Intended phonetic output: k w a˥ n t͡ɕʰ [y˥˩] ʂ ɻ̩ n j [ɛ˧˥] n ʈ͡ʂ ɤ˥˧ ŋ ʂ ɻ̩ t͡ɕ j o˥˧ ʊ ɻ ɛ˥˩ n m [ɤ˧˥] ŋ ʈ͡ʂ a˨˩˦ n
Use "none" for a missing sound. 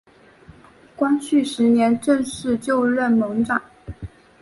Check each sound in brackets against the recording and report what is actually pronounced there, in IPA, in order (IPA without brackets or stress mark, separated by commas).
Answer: y˥˩, ɛ˧˥, ɤ˧˥